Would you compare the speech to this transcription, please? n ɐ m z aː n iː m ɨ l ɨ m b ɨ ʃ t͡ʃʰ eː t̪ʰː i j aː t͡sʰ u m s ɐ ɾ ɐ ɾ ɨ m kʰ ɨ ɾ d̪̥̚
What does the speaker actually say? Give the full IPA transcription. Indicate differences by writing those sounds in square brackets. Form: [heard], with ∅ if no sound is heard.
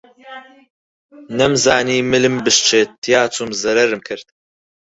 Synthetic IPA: n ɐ m z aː n iː m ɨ l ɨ m b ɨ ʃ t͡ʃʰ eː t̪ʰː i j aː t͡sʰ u m [z] ɐ ɾ ɐ ɾ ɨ m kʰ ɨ ɾ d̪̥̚